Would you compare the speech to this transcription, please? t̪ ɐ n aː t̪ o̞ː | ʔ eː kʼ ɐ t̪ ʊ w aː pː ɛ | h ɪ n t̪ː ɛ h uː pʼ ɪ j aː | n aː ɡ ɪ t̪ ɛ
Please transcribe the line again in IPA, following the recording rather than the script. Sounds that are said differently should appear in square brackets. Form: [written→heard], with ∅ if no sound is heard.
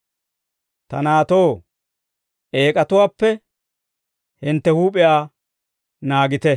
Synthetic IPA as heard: t̪ ɐ n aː t̪ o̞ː | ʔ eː kʼ ɐ t̪ ʊ w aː pː ɛ | h ɪ n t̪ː ɛ h uː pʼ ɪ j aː | n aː ɡ ɪ t̪ ɛ